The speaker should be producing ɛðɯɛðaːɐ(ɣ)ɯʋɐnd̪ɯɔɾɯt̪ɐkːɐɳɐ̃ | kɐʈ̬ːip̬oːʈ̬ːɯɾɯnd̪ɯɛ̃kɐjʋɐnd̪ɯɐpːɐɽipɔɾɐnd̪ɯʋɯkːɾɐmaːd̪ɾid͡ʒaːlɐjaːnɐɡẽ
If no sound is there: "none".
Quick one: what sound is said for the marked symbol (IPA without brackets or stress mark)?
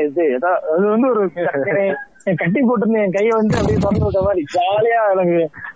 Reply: ð